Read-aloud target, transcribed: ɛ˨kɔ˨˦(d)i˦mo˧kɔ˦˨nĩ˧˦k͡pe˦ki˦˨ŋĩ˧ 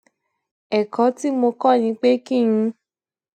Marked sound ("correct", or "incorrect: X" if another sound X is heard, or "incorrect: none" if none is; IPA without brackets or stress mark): incorrect: t